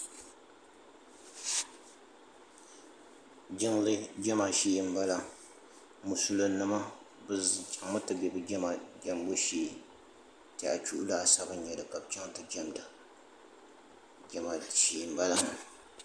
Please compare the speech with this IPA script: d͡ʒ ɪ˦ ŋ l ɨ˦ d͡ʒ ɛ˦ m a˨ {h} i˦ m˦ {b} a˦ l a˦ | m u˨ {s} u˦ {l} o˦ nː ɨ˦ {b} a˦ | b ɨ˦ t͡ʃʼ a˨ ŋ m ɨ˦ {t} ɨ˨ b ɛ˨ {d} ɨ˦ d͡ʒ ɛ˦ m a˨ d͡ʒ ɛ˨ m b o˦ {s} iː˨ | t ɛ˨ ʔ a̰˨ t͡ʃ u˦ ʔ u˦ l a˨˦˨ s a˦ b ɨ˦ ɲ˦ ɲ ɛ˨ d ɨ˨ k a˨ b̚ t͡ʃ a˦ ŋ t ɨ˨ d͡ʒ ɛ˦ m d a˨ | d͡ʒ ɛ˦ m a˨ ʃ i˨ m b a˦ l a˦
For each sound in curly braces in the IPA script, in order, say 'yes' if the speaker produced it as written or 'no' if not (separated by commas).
no, yes, yes, yes, no, yes, no, no